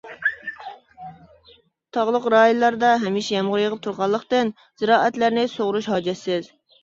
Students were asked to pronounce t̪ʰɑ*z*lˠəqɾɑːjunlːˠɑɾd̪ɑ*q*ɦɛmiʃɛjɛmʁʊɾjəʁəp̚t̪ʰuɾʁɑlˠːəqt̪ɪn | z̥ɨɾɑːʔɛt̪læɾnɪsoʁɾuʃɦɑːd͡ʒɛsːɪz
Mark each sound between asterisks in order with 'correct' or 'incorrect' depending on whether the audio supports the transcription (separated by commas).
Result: incorrect, incorrect